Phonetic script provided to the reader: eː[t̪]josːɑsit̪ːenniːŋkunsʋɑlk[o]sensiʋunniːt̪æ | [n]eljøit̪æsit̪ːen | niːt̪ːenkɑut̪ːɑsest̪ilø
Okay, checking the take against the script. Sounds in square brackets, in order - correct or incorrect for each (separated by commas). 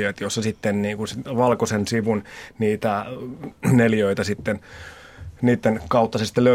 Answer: correct, correct, correct